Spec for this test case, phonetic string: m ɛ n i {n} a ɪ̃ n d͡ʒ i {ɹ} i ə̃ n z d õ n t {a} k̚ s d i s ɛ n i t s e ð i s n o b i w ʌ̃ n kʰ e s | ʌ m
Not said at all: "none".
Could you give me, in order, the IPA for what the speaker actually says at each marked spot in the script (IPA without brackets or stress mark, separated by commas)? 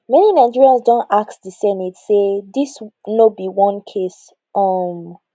n, ɹ, a